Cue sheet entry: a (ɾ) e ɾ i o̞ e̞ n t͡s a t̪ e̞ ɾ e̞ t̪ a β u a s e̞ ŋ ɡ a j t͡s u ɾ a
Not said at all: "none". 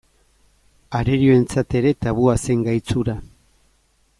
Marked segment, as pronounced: ɾ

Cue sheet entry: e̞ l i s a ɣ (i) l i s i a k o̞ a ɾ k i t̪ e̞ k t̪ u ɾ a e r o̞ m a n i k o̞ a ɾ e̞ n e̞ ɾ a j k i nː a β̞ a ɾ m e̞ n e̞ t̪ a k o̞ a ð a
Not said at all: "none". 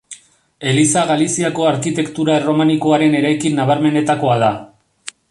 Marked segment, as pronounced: a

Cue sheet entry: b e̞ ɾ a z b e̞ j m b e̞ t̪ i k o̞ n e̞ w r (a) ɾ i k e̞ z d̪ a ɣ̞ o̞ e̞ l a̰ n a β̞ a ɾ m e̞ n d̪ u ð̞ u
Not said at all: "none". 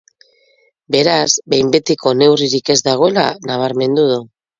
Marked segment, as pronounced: i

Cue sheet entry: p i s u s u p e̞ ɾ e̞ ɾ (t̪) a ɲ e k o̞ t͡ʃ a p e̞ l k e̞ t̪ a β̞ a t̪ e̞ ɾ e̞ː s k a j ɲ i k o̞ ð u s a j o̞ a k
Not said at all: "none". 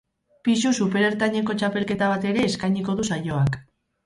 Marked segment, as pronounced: t̪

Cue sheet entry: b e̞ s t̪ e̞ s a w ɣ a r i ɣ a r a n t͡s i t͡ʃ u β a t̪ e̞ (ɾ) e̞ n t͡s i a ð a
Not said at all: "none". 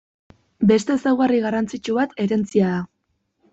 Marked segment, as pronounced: ɾ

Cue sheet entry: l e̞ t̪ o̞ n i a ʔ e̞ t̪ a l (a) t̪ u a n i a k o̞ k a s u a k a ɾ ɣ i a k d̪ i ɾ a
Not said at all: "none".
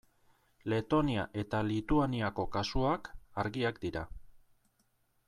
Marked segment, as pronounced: i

